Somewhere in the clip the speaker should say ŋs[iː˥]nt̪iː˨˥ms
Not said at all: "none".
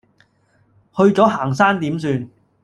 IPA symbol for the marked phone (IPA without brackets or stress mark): aː˥